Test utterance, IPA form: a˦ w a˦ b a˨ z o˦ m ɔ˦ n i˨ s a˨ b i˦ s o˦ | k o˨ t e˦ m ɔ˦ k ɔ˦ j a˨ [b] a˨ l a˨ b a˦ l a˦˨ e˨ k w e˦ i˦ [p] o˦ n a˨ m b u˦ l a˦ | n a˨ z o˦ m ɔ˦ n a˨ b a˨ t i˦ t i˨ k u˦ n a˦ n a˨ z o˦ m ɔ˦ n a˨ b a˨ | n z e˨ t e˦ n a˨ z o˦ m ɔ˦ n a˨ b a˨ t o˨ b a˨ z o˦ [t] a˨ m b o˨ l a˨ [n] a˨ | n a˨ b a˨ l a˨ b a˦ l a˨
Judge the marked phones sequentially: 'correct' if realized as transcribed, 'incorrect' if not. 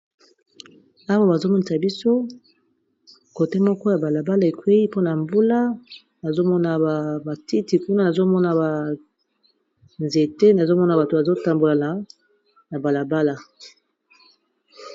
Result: correct, correct, correct, correct

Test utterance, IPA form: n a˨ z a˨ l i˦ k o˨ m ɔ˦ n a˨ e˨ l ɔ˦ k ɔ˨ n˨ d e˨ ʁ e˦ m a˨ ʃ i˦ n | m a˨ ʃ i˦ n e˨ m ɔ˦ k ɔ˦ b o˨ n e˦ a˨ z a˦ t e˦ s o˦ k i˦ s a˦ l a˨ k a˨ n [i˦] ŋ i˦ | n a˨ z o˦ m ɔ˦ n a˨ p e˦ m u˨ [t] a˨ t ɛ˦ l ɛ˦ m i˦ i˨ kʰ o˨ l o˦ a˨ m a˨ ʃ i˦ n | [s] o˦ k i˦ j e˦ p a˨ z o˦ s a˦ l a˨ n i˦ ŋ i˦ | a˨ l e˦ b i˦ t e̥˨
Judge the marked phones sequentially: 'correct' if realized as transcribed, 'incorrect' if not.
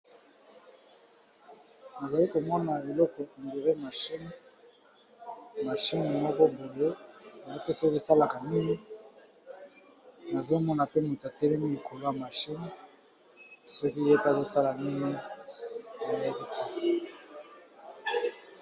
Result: correct, correct, correct

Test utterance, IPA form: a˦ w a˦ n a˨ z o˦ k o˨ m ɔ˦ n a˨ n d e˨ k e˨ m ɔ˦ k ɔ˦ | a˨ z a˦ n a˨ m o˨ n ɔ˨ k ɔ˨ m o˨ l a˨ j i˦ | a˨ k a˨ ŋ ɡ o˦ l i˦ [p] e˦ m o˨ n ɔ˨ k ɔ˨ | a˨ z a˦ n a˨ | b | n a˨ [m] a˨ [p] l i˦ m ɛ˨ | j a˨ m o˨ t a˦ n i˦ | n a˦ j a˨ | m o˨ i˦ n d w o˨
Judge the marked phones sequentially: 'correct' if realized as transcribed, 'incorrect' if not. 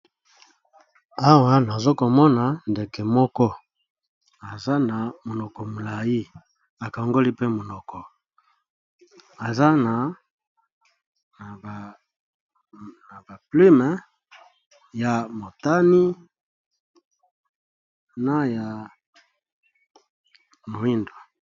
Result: correct, incorrect, correct

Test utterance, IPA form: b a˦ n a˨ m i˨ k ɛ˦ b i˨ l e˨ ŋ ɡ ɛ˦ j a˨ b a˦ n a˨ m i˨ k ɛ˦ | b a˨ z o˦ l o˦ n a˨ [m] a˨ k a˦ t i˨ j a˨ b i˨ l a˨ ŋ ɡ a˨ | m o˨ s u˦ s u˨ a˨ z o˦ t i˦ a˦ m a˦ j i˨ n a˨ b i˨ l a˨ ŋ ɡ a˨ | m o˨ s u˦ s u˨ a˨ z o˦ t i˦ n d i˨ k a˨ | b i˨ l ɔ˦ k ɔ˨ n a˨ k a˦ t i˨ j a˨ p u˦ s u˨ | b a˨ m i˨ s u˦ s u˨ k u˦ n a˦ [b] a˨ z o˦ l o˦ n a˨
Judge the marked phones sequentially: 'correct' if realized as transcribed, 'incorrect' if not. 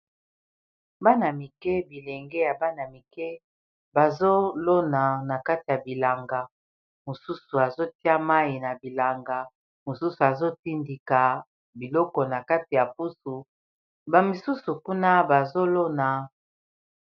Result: incorrect, correct

